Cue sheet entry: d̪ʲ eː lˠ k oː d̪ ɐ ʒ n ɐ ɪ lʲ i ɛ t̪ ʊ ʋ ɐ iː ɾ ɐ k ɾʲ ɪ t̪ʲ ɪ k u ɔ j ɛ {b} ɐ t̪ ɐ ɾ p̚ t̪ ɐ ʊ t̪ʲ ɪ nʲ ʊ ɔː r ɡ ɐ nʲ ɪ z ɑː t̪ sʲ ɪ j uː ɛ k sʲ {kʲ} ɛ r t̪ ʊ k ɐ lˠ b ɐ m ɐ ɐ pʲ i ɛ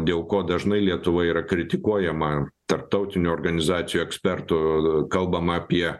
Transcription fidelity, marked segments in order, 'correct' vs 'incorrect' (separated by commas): incorrect, incorrect